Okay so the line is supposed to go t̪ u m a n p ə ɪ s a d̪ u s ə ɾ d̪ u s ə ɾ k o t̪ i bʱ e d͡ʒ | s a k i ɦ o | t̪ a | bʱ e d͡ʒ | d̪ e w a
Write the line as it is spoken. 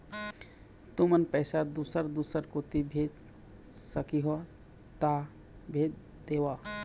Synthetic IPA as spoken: t̪ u m ə n p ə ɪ s a d̪ u s ə ɾ d̪ u s ə ɾ k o t̪ i bʱ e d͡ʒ | s ə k i ɦ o | t̪ a | bʱ e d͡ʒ | d̪ e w a